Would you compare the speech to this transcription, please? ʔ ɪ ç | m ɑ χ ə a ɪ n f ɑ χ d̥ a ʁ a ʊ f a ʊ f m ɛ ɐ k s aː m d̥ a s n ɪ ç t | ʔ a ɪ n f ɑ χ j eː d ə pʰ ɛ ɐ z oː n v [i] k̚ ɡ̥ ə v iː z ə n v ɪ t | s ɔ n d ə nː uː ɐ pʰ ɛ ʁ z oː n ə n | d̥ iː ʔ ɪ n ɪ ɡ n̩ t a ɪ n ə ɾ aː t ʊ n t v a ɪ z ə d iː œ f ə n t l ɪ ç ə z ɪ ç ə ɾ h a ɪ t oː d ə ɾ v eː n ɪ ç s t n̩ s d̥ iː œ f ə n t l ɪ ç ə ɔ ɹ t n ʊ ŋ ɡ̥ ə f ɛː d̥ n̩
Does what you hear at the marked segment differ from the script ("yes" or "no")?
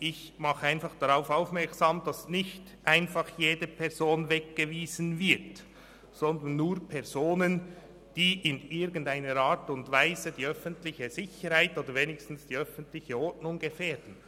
yes